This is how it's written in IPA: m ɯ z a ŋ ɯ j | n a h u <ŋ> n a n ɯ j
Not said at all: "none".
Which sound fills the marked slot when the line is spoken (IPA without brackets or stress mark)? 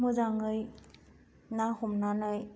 m